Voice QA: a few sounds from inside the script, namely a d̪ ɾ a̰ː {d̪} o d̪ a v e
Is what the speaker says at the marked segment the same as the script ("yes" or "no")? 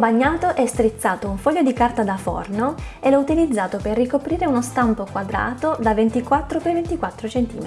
no